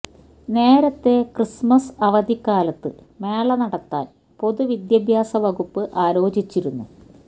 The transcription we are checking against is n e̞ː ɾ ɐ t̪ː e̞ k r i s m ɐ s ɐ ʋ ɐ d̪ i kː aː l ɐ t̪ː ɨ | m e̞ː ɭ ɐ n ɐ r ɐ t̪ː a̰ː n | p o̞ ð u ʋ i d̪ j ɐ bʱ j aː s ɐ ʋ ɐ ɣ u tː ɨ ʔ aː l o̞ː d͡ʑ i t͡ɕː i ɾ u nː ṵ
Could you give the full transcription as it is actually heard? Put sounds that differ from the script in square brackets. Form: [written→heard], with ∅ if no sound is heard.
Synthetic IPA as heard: n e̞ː ɾ ɐ t̪ː e̞ k r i s m ɐ s ɐ ʋ ɐ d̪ i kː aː l ɐ t̪ː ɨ | m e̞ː ɭ ɐ n ɐ [r→ɽ] ɐ t̪ː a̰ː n | p o̞ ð u ʋ i d̪ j ɐ bʱ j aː s ɐ ʋ ɐ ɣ u [tː→pː] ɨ ʔ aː l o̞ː d͡ʑ i t͡ɕː i ɾ u nː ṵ